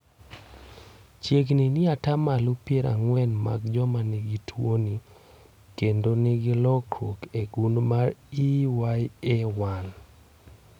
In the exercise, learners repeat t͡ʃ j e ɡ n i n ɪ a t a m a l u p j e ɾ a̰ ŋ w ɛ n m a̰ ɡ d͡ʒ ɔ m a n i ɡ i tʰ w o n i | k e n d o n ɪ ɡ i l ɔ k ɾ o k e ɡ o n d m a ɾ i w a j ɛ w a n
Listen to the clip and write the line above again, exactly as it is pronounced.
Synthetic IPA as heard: t͡ʃ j e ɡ n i n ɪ a t a m a l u p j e ɾ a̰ ŋ w ɛ n m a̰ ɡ d͡ʒ ɔ m a n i ɡ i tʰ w o n i | k e n d o n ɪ ɡ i l ɔ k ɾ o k e ɡ u n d m a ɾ i w a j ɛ w a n